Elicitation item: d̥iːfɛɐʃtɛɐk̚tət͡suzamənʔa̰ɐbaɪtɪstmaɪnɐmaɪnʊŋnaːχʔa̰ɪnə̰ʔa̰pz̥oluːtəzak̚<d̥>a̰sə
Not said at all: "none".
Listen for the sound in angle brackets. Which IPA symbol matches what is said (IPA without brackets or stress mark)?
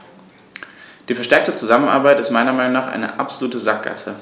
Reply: ɡ̥